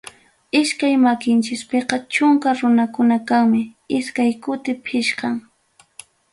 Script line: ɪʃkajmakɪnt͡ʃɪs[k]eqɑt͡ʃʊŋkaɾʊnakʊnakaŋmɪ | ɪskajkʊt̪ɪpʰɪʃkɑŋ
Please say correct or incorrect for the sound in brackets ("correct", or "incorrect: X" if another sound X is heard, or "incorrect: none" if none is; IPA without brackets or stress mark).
incorrect: p